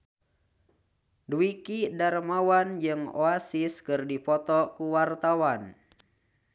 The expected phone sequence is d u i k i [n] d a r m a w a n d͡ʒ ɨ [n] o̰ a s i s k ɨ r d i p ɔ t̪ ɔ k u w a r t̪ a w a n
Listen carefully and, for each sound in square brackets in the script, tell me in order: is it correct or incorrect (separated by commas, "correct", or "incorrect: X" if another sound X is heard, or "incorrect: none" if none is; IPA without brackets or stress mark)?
incorrect: none, incorrect: ŋ